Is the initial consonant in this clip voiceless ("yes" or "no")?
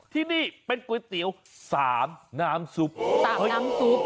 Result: yes